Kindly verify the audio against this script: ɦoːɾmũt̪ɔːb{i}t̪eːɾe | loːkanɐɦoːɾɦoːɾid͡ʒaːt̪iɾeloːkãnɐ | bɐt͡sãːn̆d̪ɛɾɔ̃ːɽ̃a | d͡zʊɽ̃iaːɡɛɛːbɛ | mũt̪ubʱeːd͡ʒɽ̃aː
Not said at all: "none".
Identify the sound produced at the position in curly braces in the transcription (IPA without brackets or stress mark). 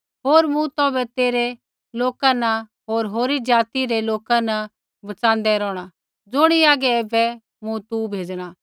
ɛ